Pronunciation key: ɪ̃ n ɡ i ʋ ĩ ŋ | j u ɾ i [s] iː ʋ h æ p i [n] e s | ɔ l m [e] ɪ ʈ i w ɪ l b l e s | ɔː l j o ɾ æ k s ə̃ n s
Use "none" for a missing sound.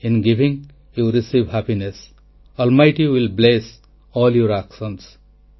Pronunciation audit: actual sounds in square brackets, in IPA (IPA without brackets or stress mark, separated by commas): s, n, a